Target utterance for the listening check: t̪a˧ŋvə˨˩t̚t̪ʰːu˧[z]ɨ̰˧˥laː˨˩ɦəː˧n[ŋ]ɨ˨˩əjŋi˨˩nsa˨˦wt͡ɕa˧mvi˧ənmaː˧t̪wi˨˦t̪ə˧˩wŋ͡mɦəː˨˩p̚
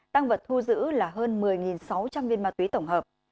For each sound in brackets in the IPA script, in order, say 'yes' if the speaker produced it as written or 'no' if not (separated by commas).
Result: yes, no